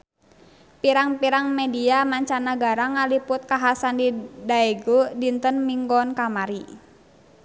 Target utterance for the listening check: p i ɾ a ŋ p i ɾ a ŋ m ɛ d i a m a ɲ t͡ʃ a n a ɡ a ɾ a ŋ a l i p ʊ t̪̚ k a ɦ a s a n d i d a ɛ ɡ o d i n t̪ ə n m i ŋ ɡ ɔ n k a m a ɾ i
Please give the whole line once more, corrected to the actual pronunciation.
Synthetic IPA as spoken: p i ɾ a ŋ p i ɾ a ŋ m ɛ d i a m a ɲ t͡ʃ a n a ɡ a ɾ a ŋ a l i p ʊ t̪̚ k a ɦ a s a n d i d a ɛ ɡ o d i n t̪ ə n m i ŋ ɡ ɔ n k a m a ɾ i